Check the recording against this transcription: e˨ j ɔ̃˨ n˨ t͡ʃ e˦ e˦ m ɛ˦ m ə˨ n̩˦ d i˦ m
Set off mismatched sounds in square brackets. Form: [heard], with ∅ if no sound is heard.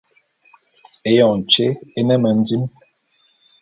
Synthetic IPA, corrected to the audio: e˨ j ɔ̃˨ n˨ t͡ʃ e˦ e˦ [n] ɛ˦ m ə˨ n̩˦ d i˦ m